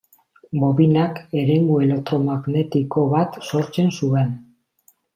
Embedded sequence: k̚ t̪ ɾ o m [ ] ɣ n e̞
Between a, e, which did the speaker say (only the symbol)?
a